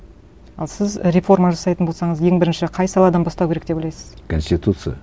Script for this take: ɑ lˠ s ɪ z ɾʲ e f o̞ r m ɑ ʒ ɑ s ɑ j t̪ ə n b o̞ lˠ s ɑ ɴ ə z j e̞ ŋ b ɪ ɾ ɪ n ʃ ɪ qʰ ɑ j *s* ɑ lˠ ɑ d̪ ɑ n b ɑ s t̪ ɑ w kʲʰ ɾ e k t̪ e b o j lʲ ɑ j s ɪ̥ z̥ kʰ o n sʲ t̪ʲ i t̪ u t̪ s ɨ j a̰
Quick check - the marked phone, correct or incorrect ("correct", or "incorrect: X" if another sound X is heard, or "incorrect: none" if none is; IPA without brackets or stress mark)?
correct